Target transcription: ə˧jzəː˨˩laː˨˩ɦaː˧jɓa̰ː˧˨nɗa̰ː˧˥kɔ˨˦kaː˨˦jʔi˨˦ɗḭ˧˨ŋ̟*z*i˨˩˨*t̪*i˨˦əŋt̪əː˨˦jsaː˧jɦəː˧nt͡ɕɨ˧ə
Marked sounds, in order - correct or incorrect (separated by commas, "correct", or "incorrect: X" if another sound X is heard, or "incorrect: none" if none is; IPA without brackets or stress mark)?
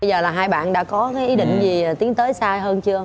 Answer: correct, correct